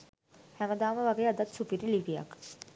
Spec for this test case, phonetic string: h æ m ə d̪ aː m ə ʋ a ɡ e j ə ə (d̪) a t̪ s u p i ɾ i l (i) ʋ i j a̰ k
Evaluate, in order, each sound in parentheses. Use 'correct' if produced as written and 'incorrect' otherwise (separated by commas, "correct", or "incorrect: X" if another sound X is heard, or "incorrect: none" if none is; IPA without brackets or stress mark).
correct, correct